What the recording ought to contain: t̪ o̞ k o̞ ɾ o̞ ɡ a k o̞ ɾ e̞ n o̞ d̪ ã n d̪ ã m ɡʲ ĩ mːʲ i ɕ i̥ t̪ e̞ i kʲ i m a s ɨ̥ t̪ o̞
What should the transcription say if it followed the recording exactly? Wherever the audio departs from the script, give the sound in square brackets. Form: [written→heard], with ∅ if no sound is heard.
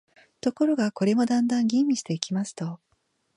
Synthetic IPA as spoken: t̪ o̞ k o̞ ɾ o̞ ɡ a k o̞ ɾ e̞ [n→m] o̞ d̪ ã n d̪ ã [m→ŋ] ɡʲ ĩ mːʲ i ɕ i̥ t̪ e̞ i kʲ i m a s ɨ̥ t̪ o̞